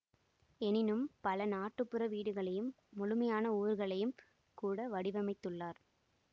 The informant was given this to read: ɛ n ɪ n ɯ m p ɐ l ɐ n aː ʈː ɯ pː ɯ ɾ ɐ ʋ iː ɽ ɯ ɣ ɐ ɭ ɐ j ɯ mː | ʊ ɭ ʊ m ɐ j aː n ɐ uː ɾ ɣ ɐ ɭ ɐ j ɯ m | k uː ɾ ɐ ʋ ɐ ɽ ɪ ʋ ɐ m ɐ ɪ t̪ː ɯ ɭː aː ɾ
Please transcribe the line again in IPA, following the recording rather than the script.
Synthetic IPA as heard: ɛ n ɪ n ɯ m p ɐ l ɐ n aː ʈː ɯ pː ɯ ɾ ɐ ʋ iː ɽ ɯ ɣ ɐ ɭ ɐ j ɯ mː | ʊ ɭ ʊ m ɐ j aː n ɐ uː ɾ ɣ ɐ ɭ ɐ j ɯ m | k uː ɽ ɐ ʋ ɐ ɽ ɪ ʋ ɐ m ɐ ɪ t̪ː ɯ ɭː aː ɾ